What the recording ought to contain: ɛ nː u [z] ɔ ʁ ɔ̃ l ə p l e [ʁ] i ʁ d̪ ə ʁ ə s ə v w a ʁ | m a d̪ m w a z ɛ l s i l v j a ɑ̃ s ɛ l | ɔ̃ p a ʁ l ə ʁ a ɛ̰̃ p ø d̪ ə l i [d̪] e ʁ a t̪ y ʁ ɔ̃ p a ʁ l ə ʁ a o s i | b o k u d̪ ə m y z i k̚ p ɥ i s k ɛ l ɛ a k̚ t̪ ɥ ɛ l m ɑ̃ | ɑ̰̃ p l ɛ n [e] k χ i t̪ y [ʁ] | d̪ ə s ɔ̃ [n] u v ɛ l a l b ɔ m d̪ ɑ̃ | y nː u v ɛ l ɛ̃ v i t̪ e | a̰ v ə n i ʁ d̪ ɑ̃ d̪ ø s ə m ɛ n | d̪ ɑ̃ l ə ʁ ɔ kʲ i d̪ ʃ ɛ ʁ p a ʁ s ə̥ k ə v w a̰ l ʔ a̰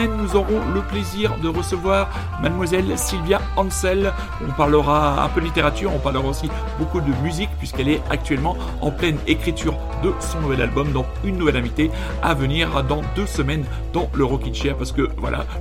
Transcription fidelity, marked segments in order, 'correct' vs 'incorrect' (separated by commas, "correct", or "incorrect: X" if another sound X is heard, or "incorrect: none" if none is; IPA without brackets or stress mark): correct, incorrect: z, incorrect: t̪, correct, correct, correct